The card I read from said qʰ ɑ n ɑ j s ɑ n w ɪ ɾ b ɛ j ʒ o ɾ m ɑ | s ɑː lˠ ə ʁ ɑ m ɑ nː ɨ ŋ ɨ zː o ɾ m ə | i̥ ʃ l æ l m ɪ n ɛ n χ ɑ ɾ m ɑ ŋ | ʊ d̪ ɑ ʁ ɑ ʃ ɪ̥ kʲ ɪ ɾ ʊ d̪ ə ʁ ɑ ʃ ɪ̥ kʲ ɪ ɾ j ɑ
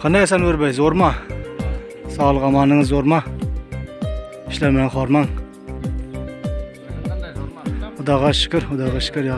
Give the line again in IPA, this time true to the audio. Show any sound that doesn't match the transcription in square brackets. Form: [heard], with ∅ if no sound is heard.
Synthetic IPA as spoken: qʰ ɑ n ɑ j s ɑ n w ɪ ɾ b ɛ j [z] o ɾ m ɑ | s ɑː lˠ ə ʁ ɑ m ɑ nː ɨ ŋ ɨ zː o ɾ m [ɑ] | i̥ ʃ l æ [ɾ] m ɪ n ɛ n χ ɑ ɾ m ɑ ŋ | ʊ d̪ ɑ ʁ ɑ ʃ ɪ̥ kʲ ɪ ɾ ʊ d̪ [ɑ] ʁ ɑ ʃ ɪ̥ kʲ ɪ ɾ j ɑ